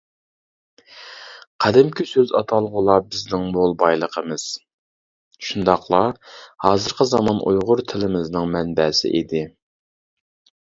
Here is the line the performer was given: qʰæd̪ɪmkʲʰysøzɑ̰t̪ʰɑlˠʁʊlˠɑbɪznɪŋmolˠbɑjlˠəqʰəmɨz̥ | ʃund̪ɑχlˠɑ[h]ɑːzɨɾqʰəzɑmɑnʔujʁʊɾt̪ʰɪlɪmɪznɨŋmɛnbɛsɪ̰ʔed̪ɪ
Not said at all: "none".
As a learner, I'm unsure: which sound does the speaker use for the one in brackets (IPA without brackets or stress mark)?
h